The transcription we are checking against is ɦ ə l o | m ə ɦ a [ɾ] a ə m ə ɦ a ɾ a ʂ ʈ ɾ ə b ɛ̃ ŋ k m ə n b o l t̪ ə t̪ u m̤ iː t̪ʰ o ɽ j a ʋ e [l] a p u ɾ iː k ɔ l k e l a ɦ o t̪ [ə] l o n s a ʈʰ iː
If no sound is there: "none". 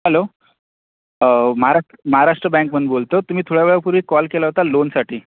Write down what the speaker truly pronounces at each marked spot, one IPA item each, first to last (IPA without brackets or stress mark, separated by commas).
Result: ɾ, ɭ, a